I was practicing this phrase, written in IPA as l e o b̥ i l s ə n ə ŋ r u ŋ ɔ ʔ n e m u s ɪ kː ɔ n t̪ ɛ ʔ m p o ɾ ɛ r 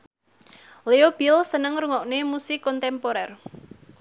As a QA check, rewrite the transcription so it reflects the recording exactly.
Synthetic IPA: l e o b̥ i l s ə n ə ŋ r u ŋ ɔ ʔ n e m u s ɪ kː ɔ n t̪ ɛ m p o ɾ ɛ r